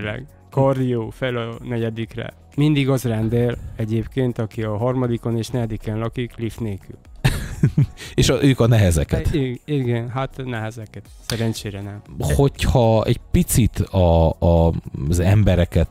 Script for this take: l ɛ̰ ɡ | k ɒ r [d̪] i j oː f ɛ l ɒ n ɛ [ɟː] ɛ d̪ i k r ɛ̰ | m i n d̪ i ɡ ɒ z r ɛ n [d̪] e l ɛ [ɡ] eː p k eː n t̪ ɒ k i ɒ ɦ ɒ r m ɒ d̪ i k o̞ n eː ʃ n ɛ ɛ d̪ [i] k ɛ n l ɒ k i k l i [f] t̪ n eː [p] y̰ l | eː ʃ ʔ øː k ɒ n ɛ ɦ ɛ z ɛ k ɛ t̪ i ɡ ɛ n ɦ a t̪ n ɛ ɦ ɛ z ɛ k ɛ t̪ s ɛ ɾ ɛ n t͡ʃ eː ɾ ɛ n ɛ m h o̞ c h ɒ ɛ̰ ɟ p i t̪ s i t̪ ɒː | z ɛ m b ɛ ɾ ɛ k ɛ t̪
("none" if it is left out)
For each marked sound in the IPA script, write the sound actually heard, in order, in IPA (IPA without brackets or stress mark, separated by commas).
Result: d̪, ɟ, d̪, ɟ, i, f, k